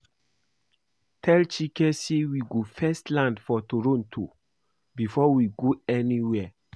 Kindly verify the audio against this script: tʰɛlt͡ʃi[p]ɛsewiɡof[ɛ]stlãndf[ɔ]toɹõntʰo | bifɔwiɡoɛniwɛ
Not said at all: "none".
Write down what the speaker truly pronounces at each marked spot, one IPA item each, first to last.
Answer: k, ɛ, ɔ

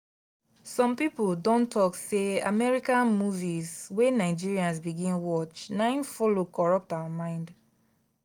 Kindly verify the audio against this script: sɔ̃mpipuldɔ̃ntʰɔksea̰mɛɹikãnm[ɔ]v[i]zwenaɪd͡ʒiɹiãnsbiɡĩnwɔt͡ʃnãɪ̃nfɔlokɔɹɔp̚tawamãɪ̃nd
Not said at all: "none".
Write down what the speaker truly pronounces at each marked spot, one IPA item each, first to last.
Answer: u, i

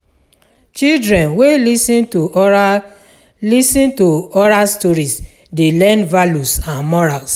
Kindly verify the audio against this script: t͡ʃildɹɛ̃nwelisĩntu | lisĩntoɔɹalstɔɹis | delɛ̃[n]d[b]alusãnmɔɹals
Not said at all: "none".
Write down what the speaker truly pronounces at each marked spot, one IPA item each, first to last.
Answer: n, v

